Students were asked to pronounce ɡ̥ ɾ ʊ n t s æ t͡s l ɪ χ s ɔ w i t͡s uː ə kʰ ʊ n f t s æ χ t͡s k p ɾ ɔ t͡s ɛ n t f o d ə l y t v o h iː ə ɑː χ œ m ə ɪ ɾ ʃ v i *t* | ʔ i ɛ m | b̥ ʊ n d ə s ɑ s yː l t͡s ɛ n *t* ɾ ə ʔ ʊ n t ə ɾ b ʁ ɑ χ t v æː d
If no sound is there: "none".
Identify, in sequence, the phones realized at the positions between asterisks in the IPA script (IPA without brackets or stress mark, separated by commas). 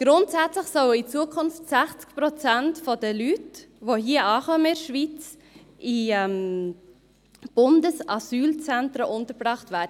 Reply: t͡s, t